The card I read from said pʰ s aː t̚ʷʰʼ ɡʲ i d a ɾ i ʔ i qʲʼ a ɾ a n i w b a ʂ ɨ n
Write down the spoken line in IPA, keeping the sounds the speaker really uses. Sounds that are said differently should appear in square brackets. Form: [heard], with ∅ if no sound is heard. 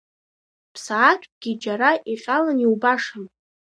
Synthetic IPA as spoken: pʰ s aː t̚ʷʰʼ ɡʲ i [d͡ʒ] a ɾ [a] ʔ i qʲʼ a [l] a n i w b a ʂ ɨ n